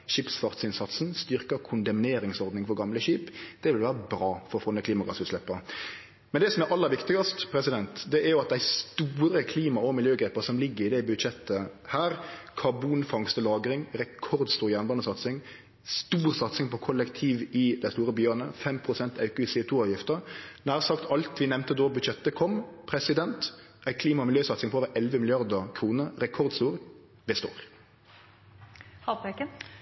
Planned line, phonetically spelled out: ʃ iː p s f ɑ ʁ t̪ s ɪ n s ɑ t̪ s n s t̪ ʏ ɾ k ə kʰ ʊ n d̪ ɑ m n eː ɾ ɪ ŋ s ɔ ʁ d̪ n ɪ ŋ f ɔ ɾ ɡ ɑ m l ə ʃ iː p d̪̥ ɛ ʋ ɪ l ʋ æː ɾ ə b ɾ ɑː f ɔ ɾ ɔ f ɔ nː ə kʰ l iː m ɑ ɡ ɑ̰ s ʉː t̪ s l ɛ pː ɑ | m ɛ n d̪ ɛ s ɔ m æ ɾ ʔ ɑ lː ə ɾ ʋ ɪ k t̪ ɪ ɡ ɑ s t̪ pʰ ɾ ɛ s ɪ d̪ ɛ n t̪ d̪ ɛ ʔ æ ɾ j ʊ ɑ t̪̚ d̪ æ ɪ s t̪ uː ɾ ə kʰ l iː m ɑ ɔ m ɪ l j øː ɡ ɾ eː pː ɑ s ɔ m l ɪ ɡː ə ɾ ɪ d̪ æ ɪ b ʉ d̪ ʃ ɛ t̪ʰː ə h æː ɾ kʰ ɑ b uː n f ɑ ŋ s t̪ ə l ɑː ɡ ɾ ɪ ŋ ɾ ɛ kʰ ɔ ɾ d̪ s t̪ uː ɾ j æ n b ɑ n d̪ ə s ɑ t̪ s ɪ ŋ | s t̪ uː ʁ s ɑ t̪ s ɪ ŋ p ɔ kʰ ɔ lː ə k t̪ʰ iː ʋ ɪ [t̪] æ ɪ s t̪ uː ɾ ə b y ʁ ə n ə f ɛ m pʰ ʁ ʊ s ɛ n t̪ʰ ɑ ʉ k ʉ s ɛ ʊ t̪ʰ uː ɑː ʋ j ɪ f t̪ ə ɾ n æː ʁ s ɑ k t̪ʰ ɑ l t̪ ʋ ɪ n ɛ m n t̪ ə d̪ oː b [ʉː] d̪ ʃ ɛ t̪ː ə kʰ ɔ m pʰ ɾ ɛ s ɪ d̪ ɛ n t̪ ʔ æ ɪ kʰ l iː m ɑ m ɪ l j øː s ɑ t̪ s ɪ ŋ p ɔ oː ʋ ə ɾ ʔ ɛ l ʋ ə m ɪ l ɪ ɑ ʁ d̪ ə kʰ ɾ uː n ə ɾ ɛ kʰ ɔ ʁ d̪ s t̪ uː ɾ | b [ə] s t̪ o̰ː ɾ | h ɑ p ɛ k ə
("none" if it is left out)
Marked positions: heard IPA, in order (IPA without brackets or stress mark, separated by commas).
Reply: d̪, ʉ, ə